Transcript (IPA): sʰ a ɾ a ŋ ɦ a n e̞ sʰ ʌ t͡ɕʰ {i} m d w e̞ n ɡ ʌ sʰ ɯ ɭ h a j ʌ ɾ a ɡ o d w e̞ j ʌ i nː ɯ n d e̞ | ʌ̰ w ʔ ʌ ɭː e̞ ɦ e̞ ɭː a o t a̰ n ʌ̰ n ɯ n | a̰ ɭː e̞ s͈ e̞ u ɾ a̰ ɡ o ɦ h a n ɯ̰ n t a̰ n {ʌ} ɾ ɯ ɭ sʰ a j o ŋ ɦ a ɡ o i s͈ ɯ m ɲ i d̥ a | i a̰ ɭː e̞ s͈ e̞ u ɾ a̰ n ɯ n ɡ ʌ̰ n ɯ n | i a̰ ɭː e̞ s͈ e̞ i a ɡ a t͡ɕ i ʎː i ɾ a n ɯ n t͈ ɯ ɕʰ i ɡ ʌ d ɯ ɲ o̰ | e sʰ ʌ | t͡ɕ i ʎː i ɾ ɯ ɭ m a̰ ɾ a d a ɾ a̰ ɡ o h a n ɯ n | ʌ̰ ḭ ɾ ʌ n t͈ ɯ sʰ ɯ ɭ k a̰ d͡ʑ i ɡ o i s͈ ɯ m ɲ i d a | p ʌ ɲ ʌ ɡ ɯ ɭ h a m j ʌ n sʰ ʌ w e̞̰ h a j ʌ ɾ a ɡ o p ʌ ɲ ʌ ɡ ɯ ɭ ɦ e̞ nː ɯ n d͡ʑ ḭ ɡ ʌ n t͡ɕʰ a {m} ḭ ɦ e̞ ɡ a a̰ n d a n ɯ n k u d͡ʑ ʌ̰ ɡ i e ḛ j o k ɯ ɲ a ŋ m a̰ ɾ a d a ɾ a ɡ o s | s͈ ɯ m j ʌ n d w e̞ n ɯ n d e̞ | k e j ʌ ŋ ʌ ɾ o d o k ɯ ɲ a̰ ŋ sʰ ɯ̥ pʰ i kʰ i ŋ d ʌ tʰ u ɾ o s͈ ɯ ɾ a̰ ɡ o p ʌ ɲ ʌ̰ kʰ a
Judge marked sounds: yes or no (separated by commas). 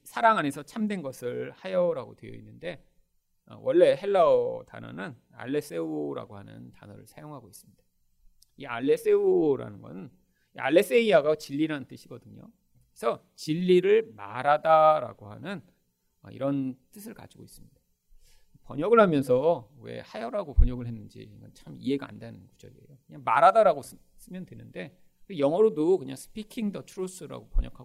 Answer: no, yes, yes